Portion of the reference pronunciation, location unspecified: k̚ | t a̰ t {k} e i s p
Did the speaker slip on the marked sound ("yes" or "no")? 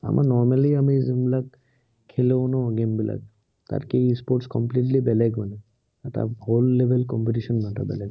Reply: no